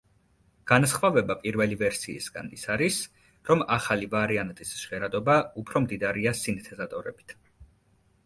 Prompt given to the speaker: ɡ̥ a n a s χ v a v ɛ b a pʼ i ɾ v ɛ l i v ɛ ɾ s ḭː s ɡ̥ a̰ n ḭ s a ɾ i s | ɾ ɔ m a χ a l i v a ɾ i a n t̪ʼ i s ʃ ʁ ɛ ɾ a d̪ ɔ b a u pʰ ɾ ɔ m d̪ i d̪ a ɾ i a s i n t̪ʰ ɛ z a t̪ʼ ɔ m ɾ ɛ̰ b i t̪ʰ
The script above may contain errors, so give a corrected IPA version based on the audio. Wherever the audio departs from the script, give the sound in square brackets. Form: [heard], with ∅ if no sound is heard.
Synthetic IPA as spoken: ɡ̥ a n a s χ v a v ɛ b a pʼ i ɾ v ɛ l i v ɛ ɾ s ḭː s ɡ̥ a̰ n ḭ s a ɾ i s | ɾ ɔ m a χ a l i v a ɾ i a n t̪ʼ i s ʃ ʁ ɛ ɾ a d̪ ɔ b a u pʰ ɾ ɔ m d̪ i d̪ a ɾ i a s i n t̪ʰ ɛ z a t̪ʼ ɔ [∅] ɾ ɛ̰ b i t̪ʰ